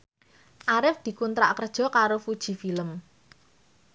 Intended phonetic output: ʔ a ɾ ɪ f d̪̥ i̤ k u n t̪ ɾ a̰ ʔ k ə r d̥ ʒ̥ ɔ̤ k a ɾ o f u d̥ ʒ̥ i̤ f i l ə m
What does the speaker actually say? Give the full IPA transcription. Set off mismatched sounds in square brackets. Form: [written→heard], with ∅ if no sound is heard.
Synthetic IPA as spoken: ʔ a ɾ ɪ f d̪̥ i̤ k u n t̪ ɾ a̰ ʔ k ə r d̥ ʒ̥ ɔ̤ k a ɾ o f u d̥ ʒ̥ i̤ f i l ə m